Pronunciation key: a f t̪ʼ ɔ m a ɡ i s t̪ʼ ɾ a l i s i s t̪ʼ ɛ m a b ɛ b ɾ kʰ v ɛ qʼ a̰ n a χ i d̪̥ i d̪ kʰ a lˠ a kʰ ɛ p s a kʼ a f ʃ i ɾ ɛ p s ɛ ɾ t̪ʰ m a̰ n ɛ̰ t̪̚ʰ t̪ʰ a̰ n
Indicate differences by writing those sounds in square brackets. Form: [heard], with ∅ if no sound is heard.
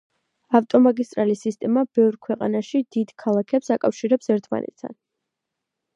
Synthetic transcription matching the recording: a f t̪ʼ ɔ m a ɡ i s t̪ʼ ɾ a l i s i s t̪ʼ ɛ m a b ɛ [v] ɾ kʰ [w] ɛ qʼ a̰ n a [ʃ] i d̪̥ i d̪ kʰ a lˠ a kʰ ɛ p s a kʼ a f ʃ i ɾ ɛ p s ɛ ɾ t̪ʰ m a̰ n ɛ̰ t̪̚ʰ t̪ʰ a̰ n